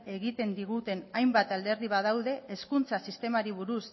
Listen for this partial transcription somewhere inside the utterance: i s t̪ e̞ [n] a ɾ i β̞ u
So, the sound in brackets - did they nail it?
no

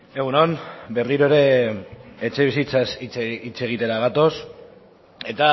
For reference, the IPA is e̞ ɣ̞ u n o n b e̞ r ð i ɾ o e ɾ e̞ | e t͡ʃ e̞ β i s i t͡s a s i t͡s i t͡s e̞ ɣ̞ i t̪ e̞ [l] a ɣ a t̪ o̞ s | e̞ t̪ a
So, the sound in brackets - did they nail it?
no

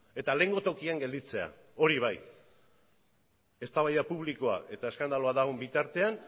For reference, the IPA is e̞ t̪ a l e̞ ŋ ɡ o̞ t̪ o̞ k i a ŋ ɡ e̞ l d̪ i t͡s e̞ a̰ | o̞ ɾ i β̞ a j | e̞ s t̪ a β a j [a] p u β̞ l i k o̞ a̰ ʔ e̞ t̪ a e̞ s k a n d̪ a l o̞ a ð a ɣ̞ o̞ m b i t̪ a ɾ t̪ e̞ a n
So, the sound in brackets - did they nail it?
yes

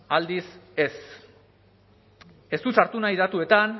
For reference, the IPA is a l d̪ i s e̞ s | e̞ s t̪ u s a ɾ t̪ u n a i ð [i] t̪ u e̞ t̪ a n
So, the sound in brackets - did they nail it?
no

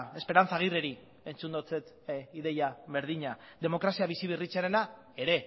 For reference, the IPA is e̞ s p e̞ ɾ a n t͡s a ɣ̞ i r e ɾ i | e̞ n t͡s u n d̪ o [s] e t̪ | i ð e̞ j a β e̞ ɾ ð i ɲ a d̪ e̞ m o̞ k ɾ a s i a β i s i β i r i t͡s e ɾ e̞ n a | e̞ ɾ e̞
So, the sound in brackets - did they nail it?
no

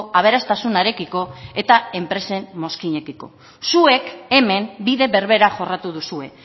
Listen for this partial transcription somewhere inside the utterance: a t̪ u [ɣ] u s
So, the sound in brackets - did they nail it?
no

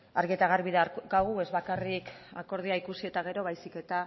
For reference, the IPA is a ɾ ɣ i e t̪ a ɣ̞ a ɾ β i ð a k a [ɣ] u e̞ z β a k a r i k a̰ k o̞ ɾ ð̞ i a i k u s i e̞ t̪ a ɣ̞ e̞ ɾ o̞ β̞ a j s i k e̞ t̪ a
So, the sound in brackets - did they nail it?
yes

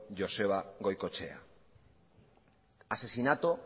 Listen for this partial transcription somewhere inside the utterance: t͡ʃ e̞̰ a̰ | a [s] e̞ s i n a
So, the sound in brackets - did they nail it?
yes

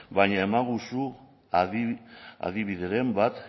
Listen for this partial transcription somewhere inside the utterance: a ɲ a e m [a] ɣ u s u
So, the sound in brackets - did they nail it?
yes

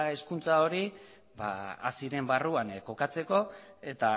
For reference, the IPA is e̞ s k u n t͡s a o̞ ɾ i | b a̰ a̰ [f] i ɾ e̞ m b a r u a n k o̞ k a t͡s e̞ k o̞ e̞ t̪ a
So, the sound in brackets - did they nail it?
no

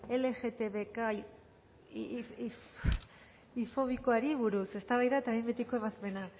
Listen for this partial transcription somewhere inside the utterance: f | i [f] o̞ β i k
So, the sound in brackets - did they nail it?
yes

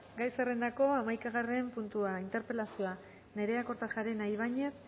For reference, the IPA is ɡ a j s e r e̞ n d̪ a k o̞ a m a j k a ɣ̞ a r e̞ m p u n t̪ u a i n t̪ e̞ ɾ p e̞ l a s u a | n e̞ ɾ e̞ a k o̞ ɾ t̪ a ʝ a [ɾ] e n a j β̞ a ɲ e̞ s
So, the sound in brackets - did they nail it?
yes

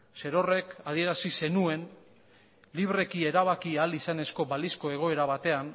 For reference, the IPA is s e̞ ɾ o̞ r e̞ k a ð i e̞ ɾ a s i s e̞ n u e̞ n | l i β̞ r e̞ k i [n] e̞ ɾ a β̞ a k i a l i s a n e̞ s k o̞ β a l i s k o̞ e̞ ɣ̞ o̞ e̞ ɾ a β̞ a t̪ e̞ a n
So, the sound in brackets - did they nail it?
no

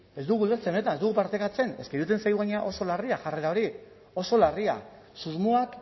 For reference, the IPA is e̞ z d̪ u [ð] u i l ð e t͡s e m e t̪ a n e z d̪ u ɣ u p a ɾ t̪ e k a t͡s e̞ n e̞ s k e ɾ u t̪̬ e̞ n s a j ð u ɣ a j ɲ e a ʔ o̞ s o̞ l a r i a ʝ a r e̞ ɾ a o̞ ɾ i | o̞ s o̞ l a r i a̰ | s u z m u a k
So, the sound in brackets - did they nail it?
no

